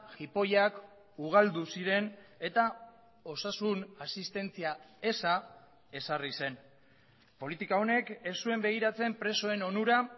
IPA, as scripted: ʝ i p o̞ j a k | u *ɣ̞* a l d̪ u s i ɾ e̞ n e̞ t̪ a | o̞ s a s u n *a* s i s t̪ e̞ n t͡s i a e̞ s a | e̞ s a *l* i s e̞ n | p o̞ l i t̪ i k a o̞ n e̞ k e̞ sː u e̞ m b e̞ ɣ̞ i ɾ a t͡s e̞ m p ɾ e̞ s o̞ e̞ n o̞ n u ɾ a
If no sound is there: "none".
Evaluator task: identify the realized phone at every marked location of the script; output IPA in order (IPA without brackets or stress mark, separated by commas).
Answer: ɣ̞, a, r